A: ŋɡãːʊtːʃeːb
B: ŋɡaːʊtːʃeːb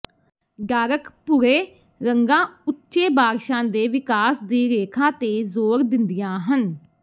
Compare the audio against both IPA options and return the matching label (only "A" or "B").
A